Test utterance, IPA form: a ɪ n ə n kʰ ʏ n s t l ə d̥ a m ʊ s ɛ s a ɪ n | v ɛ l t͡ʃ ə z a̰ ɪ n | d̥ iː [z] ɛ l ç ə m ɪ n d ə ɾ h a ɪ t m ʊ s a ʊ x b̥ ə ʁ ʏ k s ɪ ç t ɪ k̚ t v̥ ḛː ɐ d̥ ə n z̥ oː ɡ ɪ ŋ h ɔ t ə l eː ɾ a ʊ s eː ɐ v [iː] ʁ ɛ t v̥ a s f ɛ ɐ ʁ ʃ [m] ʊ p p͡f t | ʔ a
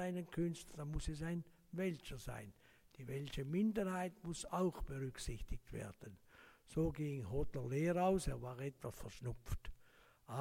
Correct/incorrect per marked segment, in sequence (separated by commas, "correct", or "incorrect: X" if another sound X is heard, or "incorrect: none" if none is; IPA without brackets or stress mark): incorrect: v, incorrect: aː, incorrect: n